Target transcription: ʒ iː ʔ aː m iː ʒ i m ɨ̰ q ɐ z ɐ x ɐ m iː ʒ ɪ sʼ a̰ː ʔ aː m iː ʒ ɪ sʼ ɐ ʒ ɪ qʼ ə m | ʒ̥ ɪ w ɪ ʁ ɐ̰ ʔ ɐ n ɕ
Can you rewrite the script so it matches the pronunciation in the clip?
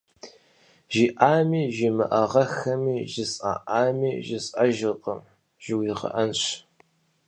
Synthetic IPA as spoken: ʒ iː ʔ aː m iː ʒ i m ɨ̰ ʔ ɐ ʁ ɐ x ɐ m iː ʒ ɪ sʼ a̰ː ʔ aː m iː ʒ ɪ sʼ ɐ ʒ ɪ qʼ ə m | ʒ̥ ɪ w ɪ ʁ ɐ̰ ʔ ɐ n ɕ